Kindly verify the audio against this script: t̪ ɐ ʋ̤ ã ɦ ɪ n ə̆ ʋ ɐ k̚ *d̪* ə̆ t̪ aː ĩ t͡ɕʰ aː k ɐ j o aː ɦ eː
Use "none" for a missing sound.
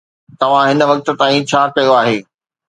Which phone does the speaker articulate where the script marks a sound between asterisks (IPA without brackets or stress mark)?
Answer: t̪